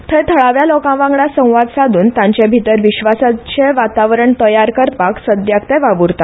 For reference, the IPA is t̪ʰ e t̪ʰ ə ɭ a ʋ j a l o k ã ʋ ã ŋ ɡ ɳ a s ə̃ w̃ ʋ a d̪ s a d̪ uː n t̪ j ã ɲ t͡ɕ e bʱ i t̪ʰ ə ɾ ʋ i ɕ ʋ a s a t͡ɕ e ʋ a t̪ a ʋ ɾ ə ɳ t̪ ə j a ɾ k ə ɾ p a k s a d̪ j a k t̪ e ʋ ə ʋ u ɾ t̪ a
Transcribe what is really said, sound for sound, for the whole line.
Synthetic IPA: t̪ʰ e t̪ʰ ə ɭ a ʋ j a l o k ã ʋ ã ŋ ɡ ɳ a s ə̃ w̃ ʋ a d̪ s a d̪ uː n t̪ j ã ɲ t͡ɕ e bʱ i t̪ ə ɾ ʋ i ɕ ʋ a s a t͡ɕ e ʋ a t̪ a ʋ ɾ ə ɳ t̪ ə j a ɾ k ə ɾ p a k s ə d̪ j a k t̪ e ʋ a ʋ u ɾ t̪ a